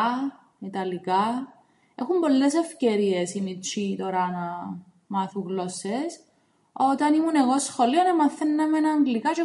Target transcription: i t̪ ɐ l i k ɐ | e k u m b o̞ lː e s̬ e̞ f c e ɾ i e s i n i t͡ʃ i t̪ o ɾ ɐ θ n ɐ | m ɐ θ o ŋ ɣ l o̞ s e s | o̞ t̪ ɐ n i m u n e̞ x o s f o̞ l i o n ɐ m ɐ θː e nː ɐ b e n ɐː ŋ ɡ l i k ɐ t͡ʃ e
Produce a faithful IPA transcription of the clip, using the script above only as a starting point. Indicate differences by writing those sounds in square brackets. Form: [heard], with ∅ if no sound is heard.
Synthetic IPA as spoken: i t̪ ɐ l i k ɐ | e [x] u m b o̞ lː e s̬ e̞ f c e ɾ i e s i n i t͡ʃ i t̪ o ɾ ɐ [∅] n ɐ | m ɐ θ [u] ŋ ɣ l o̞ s e s | o̞ t̪ ɐ n i m u n e̞ [ɣ] o s [x] o̞ l i o n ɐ m ɐ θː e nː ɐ [m] e n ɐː ŋ ɡ l i k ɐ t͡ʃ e

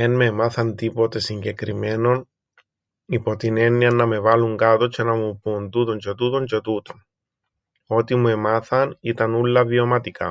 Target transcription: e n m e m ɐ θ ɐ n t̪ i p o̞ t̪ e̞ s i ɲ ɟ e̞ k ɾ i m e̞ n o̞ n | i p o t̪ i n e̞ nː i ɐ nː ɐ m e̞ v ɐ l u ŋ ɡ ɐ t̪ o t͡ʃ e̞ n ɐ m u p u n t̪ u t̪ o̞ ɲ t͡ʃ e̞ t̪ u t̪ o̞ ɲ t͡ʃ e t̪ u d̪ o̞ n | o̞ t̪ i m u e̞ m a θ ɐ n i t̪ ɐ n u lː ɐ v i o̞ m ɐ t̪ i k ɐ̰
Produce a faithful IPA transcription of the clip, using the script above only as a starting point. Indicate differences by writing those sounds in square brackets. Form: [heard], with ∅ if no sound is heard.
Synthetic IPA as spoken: e n m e m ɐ θ ɐ n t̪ i p o̞ t̪ e̞ s i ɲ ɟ e̞ k ɾ i m e̞ n o̞ n | i p o t̪ i n e̞ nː i ɐ nː ɐ m e̞ v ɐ l u ŋ ɡ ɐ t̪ o t͡ʃ e̞ n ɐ m u p u n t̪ u t̪ o̞ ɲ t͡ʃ e̞ t̪ u t̪ o̞ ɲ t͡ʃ e t̪ u [t̪] o̞ n | o̞ t̪ i m u e̞ m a θ ɐ n i t̪ ɐ n u lː ɐ v i o̞ m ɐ t̪ i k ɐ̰

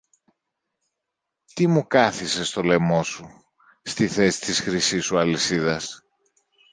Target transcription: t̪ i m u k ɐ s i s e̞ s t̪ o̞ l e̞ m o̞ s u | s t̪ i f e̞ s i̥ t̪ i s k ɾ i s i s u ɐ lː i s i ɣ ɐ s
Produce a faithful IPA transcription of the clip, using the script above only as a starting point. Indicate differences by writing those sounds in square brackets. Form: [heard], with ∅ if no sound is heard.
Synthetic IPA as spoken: t̪ i m u k ɐ [θ] i s e̞ s t̪ o̞ l e̞ m o̞ s u | s t̪ i [θ] e̞ s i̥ t̪ i s [x] ɾ i s i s u ɐ [l] i s i [ð] ɐ s

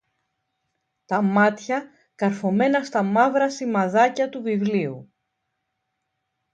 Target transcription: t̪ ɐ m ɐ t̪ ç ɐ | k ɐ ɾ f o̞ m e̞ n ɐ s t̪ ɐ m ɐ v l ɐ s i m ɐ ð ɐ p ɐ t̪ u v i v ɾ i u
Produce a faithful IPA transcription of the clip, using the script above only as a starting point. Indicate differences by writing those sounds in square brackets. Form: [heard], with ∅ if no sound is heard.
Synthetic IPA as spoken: t̪ ɐ m ɐ t̪ ç ɐ | k ɐ ɾ f o̞ m e̞ n ɐ s t̪ ɐ m ɐ v [ɾ] ɐ s i m ɐ ð ɐ [c] ɐ t̪ u v i v [l] i u

